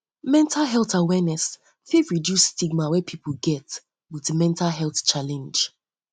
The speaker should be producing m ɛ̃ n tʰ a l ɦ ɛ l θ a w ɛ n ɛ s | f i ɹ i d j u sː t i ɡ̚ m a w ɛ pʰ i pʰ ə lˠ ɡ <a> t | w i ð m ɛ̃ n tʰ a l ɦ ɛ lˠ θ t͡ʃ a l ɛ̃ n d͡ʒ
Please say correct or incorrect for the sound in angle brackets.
incorrect